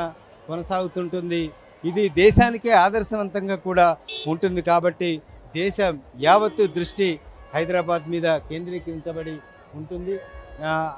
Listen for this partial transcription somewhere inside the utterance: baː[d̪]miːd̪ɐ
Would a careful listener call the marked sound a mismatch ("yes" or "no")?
no